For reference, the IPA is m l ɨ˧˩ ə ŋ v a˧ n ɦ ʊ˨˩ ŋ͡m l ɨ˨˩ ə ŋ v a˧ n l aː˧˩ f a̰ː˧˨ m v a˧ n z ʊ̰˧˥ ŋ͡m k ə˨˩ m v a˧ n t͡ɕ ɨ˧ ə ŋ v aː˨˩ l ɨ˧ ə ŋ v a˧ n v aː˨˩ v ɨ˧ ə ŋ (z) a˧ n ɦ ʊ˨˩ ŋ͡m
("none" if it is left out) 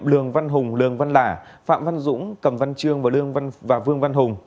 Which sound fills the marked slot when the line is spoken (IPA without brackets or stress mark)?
v